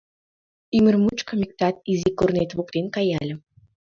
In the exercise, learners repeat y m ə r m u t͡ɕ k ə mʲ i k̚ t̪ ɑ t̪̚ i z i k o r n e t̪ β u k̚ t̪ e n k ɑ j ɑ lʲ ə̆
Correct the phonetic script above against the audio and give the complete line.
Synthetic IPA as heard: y m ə r m u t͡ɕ k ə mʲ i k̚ t̪ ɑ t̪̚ i z i k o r n e t̪ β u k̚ t̪ e n k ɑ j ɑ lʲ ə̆

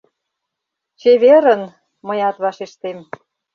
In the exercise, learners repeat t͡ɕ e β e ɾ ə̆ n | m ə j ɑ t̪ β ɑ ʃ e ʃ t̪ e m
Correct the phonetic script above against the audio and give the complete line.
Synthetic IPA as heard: t͡ɕ e β e ɾ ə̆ n | m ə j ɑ t̪ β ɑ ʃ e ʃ t̪ e m

